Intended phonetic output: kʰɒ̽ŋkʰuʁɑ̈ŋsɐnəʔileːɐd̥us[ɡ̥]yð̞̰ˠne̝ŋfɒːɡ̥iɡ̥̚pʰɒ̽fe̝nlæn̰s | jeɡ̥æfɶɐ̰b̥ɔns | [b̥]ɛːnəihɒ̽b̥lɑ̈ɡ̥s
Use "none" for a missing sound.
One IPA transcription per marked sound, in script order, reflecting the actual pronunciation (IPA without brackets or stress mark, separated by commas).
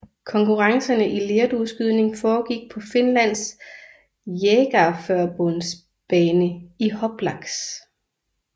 ɡ̥, b̥